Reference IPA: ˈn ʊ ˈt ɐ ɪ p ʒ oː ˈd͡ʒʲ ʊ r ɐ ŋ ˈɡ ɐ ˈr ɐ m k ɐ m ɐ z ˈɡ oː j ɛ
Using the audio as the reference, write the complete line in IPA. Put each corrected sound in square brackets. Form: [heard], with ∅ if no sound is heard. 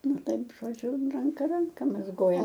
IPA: ˈn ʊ ˈt ɐ ɪ p ʒ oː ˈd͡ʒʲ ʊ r ɐ ŋ [ˈk] ɐ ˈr ɐ [ŋ] k ɐ m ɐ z ˈɡ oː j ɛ